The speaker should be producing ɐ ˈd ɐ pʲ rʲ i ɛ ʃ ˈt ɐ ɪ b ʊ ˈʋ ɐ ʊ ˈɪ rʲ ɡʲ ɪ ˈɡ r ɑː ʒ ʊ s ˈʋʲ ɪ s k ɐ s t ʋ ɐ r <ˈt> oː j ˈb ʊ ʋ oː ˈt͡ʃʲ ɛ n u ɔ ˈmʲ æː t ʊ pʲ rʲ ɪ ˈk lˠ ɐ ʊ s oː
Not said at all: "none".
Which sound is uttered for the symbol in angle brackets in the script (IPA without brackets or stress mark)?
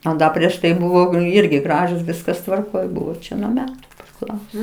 k